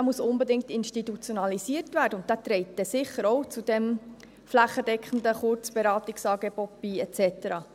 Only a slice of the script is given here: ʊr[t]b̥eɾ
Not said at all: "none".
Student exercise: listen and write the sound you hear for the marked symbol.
t͡s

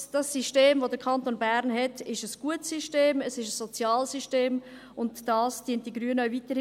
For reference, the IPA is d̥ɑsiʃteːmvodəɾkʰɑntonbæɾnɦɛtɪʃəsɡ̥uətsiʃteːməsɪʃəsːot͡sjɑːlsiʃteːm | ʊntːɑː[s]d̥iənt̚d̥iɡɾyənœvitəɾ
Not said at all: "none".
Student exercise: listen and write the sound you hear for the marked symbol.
s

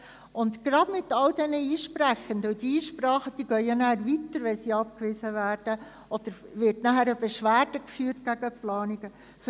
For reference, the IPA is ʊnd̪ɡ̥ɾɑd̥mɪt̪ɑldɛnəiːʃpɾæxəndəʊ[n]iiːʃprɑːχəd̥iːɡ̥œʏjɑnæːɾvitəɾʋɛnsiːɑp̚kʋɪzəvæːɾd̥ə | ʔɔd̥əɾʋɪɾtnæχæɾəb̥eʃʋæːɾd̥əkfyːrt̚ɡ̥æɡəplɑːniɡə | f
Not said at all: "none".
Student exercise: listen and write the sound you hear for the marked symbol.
d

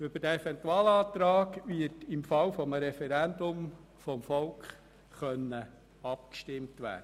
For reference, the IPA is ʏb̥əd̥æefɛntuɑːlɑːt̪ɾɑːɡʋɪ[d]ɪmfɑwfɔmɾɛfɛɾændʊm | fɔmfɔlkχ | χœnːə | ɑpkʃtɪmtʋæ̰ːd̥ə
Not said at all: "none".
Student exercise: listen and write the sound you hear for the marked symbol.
t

